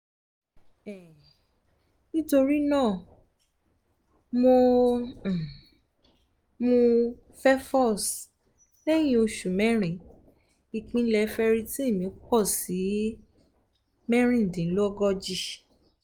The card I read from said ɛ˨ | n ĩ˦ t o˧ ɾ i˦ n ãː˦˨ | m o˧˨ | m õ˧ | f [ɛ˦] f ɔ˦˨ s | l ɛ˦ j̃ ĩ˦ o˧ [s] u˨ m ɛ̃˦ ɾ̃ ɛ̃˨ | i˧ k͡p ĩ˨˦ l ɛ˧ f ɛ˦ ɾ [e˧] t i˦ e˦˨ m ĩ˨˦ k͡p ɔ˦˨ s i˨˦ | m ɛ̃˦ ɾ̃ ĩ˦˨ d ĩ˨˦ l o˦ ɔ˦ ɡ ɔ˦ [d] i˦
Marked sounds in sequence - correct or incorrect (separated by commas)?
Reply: correct, incorrect, incorrect, incorrect